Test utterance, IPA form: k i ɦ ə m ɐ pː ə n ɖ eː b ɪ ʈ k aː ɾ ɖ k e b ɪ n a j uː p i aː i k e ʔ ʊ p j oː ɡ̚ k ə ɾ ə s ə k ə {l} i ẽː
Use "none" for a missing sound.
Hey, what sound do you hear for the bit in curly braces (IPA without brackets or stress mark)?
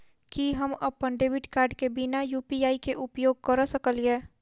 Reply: l